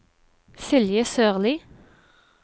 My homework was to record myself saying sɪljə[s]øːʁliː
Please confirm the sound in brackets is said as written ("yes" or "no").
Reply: yes